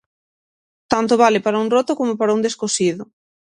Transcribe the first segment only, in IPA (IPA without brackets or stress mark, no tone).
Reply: t̪